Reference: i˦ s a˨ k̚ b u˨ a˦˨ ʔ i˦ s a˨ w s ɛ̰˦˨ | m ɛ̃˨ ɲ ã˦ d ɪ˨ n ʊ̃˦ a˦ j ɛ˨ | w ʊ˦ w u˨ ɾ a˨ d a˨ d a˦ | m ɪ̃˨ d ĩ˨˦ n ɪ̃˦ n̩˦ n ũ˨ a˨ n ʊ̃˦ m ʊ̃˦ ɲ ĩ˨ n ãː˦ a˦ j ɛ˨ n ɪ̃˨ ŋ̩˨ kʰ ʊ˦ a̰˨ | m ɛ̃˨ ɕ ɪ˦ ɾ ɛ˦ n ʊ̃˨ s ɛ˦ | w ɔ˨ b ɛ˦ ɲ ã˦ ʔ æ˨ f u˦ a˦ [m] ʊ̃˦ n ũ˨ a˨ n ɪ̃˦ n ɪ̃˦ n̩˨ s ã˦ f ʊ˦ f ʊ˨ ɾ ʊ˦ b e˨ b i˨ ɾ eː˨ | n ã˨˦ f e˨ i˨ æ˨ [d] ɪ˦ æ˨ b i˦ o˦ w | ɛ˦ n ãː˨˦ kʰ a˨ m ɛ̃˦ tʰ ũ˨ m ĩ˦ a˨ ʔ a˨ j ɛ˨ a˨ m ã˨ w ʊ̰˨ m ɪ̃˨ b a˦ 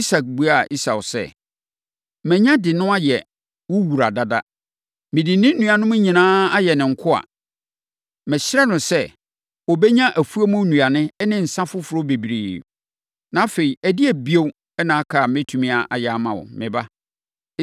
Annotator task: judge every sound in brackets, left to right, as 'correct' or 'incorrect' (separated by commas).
correct, correct